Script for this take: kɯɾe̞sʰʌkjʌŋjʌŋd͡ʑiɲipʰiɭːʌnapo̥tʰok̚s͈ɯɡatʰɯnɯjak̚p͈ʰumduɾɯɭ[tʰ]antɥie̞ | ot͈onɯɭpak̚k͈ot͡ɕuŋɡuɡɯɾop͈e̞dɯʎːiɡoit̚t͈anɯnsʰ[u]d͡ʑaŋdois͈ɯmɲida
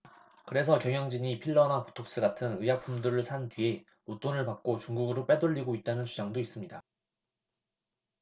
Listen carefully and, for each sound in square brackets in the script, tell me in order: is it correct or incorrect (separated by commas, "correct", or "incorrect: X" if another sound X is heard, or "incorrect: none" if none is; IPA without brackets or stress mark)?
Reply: incorrect: sʰ, correct